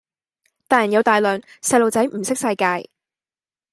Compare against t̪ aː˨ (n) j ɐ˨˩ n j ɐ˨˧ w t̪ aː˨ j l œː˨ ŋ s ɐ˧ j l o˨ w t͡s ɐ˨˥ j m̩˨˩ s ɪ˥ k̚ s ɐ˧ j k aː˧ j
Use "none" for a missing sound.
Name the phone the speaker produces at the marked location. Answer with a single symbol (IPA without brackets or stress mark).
none